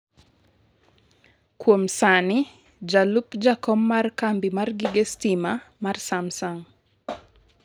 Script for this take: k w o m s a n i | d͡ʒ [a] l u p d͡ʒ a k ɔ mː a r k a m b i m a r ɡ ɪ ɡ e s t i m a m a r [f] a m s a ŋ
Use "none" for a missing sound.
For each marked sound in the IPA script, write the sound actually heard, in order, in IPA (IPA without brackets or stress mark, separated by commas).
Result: a, s